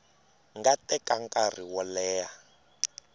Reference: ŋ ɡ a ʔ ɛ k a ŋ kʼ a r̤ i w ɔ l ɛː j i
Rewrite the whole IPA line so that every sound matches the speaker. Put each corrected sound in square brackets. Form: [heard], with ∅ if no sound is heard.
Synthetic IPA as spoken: ŋ ɡ a [t] ɛ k a ŋ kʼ a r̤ i w ɔ l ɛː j [a]